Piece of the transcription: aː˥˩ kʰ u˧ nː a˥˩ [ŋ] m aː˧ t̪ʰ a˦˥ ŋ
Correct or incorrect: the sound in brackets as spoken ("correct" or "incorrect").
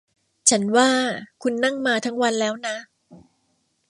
correct